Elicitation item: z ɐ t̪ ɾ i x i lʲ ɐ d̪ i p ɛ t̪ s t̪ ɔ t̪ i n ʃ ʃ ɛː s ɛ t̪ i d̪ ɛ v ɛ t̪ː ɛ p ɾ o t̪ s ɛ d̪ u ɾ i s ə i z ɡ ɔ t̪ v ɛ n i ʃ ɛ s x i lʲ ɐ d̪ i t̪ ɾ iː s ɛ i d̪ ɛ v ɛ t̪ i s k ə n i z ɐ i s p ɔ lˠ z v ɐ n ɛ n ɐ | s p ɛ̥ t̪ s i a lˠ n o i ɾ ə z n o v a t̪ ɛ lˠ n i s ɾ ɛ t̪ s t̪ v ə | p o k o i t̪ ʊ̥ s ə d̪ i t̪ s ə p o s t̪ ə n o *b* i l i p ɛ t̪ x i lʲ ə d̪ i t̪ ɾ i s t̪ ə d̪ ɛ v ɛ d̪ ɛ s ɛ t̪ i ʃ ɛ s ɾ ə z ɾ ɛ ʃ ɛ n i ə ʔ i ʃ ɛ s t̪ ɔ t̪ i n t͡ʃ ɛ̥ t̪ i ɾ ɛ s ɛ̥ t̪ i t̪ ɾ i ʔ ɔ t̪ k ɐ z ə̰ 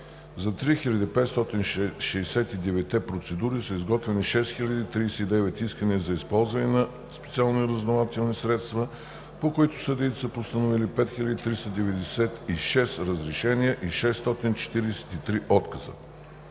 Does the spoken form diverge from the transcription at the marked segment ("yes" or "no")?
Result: yes